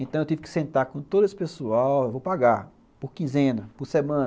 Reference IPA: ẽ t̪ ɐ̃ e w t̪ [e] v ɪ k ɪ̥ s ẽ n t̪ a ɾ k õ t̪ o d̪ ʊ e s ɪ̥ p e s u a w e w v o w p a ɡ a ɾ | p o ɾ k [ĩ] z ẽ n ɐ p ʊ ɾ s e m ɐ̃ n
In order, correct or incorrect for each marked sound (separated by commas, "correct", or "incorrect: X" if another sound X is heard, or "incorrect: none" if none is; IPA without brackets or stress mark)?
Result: incorrect: i, correct